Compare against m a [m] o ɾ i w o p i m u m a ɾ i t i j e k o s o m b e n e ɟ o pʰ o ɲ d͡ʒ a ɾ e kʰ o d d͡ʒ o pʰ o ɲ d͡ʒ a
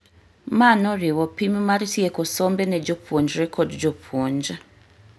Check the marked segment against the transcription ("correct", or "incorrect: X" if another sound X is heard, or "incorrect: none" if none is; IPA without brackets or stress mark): incorrect: n